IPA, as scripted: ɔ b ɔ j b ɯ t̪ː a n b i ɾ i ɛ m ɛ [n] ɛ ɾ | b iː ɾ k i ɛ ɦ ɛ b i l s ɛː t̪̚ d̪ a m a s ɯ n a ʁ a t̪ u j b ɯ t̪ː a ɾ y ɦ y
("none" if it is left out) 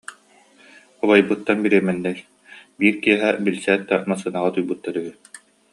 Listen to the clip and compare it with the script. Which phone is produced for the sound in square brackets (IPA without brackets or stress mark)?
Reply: nː